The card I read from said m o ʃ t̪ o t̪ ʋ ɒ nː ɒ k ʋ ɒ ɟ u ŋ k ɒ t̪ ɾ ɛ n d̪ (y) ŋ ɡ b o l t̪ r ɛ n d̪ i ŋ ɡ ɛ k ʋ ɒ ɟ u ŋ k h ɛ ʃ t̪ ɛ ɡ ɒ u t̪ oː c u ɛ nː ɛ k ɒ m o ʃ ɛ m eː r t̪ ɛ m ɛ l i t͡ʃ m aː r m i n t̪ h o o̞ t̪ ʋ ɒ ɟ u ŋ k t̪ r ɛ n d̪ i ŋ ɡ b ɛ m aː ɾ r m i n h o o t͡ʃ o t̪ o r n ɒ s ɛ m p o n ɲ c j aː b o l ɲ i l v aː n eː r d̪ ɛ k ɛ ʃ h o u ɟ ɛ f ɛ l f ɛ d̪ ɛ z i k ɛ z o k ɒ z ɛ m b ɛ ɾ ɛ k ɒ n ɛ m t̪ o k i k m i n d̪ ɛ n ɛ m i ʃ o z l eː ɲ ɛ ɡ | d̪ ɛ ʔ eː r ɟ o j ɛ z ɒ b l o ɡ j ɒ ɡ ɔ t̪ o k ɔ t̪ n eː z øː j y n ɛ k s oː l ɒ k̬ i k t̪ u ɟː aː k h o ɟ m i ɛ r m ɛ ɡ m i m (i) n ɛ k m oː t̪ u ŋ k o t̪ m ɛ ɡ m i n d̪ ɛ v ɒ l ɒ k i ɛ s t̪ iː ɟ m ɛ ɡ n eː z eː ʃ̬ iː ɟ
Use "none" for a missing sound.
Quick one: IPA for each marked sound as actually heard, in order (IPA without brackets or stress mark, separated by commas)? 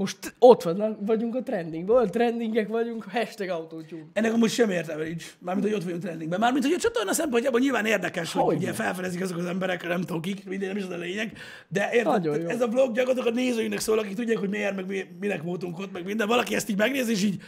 i, i